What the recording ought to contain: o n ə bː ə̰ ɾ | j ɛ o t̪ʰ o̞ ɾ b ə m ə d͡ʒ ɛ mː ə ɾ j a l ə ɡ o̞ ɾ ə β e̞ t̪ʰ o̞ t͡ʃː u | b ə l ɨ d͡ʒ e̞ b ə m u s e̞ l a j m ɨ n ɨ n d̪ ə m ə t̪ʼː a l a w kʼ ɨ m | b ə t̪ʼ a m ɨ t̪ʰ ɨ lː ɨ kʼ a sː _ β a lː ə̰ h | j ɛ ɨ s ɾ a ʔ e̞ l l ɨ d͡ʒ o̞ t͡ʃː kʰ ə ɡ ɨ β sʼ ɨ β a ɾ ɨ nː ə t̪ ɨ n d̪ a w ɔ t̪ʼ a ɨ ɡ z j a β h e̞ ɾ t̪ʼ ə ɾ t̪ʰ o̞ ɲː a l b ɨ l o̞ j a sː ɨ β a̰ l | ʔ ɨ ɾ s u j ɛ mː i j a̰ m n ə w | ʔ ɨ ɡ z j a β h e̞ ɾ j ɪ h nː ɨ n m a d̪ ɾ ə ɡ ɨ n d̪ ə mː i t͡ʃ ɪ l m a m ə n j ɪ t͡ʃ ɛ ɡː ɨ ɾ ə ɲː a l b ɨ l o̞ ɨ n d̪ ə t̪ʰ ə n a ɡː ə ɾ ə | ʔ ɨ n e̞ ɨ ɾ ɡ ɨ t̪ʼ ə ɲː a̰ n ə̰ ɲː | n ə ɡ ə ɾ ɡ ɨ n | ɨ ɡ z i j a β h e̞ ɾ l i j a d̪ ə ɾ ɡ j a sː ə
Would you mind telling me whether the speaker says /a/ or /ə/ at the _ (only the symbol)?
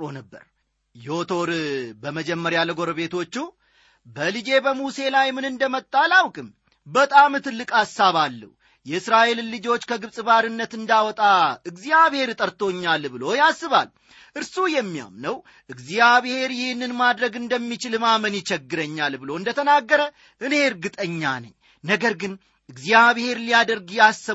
a